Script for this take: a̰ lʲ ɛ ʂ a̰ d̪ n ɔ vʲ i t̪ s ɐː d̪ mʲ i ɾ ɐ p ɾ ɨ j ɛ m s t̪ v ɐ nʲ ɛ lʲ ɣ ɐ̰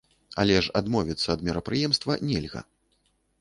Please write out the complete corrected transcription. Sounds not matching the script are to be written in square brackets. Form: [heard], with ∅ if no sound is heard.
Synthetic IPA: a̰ lʲ ɛ ʂ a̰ d̪ [m] ɔ vʲ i t̪ [sː] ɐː d̪ mʲ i ɾ ɐ p ɾ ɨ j ɛ m s t̪ v ɐ nʲ ɛ lʲ ɣ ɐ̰